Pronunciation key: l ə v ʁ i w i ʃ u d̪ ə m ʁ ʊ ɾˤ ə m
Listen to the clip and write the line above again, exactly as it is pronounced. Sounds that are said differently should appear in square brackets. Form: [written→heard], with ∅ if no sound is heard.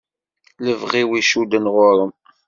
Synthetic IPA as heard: l ə v ʁ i w i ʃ u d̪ ə [m→n] ʁ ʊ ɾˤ ə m